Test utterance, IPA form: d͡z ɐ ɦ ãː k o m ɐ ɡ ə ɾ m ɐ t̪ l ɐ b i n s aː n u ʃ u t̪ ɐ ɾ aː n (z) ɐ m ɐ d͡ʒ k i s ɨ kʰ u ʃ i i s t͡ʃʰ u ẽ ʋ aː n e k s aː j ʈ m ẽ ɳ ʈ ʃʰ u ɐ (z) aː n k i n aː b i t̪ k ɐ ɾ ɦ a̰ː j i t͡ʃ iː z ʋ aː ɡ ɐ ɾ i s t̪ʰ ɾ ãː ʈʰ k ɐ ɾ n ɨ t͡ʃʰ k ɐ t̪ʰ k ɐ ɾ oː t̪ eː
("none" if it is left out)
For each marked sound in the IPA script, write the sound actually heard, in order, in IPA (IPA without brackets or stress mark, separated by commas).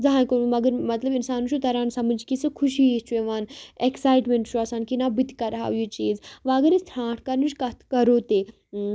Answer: s, s